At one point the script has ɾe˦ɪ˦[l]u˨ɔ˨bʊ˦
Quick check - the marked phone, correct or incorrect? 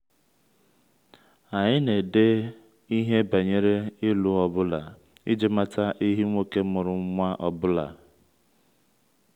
correct